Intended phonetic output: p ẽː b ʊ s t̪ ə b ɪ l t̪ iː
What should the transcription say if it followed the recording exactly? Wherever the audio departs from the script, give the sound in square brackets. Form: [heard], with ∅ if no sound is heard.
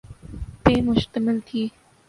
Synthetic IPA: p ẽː [m] ʊ [ʃ] t̪ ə [m] ɪ l [t̪ʰ] iː

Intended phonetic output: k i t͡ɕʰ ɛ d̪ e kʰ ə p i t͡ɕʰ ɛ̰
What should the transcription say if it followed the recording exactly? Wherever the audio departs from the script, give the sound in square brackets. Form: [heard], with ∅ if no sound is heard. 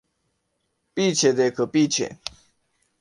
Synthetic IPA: [p] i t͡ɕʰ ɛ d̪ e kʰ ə p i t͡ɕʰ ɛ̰

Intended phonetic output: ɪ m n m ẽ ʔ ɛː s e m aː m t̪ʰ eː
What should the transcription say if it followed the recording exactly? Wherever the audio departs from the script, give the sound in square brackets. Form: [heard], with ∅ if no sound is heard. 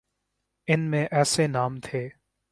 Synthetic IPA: ɪ [∅] n m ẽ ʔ ɛː s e [n] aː m t̪ʰ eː

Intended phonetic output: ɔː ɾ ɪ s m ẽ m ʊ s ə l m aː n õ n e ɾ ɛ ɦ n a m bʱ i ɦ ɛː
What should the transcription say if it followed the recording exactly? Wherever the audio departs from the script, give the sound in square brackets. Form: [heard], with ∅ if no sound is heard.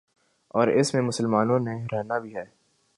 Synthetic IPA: ɔː ɾ ɪ s m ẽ m ʊ s ə l m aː n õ n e ɾ ɛ ɦ n a [∅] bʱ i ɦ ɛː

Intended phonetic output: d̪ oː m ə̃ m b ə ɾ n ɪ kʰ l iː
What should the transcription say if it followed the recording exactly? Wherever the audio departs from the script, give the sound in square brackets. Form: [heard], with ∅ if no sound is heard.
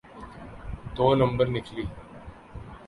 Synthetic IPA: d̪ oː [n] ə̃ m b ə ɾ n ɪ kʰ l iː

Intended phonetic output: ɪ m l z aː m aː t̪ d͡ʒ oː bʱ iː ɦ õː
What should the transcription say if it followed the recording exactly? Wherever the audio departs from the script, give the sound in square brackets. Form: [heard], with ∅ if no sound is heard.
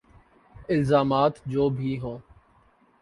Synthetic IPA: ɪ [∅] l z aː m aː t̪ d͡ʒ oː bʱ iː ɦ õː

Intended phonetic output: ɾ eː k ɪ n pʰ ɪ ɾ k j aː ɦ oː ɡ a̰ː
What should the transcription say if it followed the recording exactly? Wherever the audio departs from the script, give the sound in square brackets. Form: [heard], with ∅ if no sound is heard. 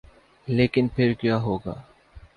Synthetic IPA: [l] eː k ɪ n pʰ ɪ ɾ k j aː ɦ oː ɡ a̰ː

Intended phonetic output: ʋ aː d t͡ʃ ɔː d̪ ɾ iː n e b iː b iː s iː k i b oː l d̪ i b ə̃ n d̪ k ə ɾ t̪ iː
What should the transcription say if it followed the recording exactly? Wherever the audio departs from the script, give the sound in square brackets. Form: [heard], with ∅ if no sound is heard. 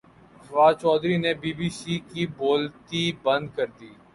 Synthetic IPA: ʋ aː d t͡ʃ ɔː d̪ ɾ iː n e b iː b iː s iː k i b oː l [t̪] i b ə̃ n d̪ k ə ɾ [d̪] iː

